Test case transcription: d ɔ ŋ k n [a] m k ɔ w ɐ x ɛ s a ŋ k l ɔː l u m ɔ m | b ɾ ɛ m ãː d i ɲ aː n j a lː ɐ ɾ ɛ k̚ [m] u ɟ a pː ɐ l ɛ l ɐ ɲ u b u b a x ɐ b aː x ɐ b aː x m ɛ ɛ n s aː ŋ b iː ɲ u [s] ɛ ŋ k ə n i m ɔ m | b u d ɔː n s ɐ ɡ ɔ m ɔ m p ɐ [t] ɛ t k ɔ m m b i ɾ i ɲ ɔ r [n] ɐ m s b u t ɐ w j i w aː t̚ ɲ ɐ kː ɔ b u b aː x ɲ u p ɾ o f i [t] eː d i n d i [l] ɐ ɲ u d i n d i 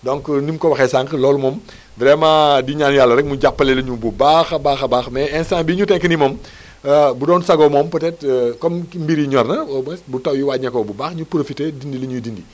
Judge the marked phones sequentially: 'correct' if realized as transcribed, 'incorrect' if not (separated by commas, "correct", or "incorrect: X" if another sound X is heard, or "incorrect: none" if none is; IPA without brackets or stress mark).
incorrect: i, correct, incorrect: t, correct, correct, correct, correct